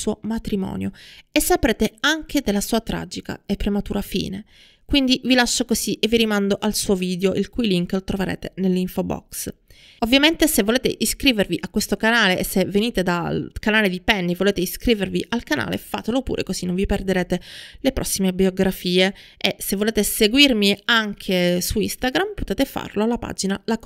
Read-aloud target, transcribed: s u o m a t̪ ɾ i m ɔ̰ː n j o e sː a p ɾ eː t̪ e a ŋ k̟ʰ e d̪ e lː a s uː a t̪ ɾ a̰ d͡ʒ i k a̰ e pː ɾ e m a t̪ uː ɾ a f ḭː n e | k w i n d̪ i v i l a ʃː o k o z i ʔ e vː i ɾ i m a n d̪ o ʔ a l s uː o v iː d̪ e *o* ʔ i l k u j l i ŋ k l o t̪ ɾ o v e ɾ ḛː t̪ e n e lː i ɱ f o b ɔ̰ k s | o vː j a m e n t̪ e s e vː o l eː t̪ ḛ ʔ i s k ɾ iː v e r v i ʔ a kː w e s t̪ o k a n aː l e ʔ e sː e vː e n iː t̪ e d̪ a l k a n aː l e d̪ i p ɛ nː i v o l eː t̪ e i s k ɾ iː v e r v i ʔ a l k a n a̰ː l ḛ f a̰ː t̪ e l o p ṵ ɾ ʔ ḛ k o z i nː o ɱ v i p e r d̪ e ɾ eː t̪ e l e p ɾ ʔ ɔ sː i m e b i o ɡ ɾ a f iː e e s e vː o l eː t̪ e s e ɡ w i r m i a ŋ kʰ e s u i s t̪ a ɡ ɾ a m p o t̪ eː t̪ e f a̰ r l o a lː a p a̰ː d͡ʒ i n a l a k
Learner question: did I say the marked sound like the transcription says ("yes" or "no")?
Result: yes